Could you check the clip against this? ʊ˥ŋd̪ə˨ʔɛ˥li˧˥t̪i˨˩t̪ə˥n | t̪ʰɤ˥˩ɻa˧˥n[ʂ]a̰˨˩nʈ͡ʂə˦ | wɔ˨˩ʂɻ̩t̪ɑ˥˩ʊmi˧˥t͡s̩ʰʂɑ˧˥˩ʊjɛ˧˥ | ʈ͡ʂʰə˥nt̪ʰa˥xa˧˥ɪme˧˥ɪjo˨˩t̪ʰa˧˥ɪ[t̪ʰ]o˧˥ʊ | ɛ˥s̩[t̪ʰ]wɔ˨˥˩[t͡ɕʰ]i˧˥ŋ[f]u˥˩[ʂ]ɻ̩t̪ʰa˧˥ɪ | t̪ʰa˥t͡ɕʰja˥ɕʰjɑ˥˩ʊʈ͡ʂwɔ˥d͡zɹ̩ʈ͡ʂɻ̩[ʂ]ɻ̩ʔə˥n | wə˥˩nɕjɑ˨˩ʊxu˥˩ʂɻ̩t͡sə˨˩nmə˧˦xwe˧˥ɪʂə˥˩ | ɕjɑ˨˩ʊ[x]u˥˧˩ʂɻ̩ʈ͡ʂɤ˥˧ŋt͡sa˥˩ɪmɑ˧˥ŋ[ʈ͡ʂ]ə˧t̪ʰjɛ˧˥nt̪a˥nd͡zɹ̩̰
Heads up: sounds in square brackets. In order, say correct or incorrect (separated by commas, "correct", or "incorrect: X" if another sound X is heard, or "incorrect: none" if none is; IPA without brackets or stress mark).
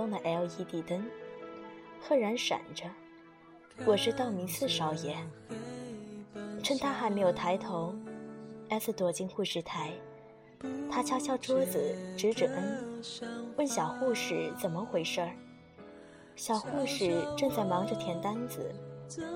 correct, correct, incorrect: t̪, incorrect: t͡ɕ, incorrect: x, correct, incorrect: ʈ͡ʂ, correct, correct